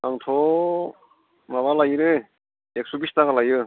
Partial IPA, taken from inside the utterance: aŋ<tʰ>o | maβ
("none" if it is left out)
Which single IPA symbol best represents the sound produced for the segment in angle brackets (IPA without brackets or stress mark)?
tʰ